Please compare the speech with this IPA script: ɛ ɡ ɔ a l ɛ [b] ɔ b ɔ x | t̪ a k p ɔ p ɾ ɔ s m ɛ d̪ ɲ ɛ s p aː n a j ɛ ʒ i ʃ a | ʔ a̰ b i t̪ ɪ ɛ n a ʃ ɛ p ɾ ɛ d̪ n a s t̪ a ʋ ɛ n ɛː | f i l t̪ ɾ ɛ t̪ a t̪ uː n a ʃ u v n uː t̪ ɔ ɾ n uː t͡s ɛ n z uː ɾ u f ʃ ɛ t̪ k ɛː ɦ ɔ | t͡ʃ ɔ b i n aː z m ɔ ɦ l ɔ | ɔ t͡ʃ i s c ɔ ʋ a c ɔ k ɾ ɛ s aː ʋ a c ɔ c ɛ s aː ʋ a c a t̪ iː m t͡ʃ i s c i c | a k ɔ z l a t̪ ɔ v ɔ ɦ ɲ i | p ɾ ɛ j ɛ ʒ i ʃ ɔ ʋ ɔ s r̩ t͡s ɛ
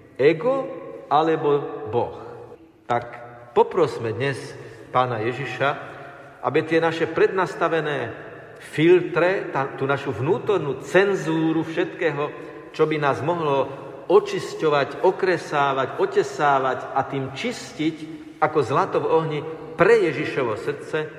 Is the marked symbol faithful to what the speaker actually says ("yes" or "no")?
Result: yes